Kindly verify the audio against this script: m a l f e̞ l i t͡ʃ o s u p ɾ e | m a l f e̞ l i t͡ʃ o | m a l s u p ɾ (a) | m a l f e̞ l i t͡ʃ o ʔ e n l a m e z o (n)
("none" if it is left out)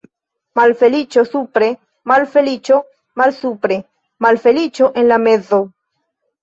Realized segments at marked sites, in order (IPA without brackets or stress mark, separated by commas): e, none